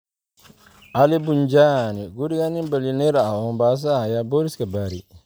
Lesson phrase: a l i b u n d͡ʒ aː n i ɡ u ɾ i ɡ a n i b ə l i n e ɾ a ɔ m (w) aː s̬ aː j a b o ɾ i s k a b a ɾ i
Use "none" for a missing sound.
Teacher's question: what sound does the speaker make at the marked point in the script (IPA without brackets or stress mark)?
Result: b